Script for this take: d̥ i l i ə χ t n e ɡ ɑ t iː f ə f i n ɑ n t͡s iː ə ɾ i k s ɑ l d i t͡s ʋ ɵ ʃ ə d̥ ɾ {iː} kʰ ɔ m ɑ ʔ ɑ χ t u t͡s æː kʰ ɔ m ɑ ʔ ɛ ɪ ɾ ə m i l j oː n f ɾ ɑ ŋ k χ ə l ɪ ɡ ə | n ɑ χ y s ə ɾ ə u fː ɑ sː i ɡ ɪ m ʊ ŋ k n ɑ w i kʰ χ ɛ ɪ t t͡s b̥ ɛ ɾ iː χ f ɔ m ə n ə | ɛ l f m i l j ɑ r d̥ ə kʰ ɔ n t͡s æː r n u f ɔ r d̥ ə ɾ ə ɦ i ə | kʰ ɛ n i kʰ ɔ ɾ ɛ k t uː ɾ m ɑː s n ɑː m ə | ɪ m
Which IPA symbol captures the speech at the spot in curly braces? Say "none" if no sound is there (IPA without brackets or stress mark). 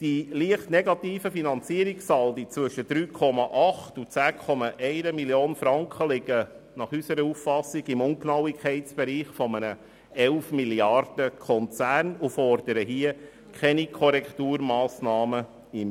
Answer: yː